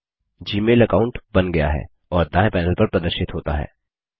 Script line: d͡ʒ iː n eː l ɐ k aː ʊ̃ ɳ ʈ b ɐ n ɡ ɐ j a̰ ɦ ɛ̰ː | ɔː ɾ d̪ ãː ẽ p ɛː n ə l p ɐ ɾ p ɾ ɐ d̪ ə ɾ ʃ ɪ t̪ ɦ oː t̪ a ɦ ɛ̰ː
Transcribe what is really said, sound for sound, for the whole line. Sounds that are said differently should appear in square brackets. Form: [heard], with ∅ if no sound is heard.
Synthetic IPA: d͡ʒ iː [m] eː l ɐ k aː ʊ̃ ɳ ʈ b ɐ n ɡ ɐ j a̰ ɦ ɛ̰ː | ɔː ɾ d̪ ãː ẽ p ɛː n ə l p ɐ ɾ p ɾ ɐ d̪ ə ɾ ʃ ɪ t̪ ɦ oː t̪ a ɦ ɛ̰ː